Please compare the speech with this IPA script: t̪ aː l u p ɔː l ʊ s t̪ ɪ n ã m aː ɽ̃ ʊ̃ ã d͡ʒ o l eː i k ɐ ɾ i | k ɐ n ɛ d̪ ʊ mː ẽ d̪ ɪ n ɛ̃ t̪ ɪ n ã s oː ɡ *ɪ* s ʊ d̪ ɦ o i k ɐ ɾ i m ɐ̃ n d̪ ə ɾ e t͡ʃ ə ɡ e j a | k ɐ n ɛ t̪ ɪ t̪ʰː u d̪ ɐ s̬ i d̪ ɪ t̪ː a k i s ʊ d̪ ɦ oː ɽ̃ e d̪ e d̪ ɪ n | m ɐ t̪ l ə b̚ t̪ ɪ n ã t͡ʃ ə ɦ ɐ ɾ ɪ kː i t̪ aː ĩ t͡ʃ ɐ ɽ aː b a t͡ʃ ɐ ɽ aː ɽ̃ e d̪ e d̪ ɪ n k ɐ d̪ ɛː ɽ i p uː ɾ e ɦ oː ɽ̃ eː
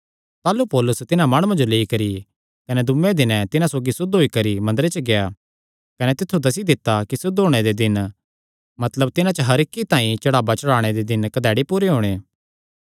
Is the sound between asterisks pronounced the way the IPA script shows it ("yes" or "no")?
no